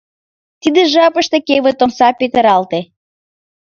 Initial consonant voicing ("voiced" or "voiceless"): voiceless